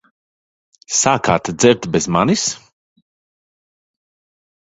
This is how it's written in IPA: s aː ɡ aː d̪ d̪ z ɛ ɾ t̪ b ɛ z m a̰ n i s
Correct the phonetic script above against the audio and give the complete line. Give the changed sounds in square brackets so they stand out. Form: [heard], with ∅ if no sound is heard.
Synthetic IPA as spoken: s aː [k] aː [t̪] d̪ z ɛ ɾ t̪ b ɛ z m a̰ n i s

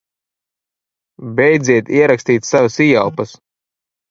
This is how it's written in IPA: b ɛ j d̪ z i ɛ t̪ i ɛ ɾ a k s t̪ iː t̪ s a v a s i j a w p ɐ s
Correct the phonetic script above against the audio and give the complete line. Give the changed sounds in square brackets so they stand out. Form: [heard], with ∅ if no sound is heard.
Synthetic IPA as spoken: b ɛ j d̪ z i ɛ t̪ i ɛ ɾ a k s t̪ iː t̪ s a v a s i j a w p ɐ s

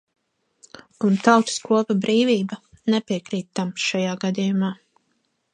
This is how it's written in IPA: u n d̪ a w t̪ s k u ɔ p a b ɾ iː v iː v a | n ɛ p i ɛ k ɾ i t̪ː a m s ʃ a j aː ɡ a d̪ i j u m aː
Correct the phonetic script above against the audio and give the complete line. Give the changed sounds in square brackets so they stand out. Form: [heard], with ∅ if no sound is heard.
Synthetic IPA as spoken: u n [t̪] a w t̪ s k u ɔ p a b ɾ iː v iː [b] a | n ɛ p i ɛ k ɾ [iː] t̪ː a m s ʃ a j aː ɡ a d̪ i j u m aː

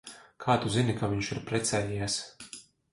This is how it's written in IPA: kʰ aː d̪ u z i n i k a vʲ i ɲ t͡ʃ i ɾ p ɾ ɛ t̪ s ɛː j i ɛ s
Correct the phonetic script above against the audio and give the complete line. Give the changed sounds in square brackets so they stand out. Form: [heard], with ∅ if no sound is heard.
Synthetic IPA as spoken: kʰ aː [t̪] u z i n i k a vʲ i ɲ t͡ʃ i ɾ p ɾ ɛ t̪ s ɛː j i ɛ s

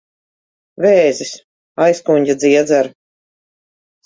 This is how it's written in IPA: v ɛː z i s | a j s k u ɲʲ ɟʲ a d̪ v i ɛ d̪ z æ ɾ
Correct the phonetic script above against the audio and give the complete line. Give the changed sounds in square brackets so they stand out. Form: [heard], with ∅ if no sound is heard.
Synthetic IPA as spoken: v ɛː z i s | a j s k u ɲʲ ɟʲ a d̪ [z] i ɛ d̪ z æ ɾ

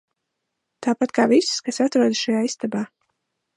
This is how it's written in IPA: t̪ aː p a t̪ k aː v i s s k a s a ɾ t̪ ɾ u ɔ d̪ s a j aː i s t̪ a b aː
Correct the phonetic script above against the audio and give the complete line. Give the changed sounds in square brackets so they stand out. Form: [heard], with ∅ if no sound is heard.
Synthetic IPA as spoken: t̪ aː p a t̪ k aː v i s s k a s a [∅] t̪ ɾ u ɔ d̪ [ʃ] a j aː i s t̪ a b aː

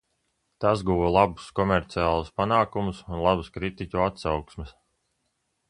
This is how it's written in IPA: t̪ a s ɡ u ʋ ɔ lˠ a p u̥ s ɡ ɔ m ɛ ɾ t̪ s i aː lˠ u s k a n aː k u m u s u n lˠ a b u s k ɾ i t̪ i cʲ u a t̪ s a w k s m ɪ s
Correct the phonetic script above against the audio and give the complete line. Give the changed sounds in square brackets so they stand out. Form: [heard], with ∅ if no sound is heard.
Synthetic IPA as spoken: t̪ a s ɡ u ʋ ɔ lˠ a [b] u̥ s [k] ɔ m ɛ ɾ t̪ s i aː lˠ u s [p] a n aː k u m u s u n lˠ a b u s k ɾ i t̪ i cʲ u a t̪ s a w k s m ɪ s

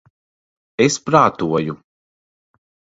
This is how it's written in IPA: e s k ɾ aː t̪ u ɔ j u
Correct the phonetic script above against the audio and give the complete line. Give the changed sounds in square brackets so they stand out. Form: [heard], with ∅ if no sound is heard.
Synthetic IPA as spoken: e s [p] ɾ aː t̪ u ɔ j u

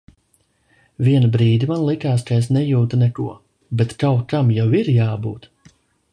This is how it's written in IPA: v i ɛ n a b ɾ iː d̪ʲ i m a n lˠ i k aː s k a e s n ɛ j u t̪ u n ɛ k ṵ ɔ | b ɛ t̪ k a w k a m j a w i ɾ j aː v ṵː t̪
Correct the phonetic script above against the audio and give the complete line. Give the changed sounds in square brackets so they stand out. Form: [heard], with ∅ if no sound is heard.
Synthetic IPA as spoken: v i ɛ n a b ɾ iː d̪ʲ i m a n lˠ i k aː s k a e s n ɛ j [uː] t̪ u n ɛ k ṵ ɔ | b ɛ t̪ k a w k a m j a w i ɾ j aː [b] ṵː t̪

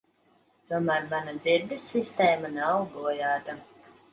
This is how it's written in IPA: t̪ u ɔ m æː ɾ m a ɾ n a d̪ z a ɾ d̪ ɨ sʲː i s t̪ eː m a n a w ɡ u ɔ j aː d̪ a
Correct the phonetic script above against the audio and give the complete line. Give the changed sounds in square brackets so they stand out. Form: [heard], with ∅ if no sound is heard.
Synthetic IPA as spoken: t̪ u ɔ m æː ɾ m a [∅] n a d̪ z [i] ɾ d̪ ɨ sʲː i s t̪ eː m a n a w ɡ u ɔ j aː [t̪] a

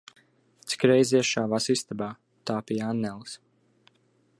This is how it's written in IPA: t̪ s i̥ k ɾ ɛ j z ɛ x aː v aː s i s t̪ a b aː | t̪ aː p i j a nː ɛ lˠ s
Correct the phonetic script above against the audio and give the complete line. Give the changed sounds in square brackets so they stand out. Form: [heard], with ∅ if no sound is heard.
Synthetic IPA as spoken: t̪ s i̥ k ɾ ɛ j z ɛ [ʃ] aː v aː s i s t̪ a b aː | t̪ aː p i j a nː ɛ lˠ s

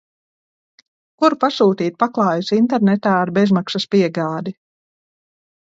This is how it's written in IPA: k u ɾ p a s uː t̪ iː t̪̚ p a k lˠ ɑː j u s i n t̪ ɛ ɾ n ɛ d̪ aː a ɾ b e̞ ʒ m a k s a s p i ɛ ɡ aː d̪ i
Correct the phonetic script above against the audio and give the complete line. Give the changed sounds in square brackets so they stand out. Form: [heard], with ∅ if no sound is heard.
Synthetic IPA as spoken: k u ɾ p a s uː t̪ iː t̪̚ p a k lˠ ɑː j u s i n t̪ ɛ ɾ n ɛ [t̪] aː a ɾ b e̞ [z] m a k s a s p i ɛ ɡ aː d̪ i

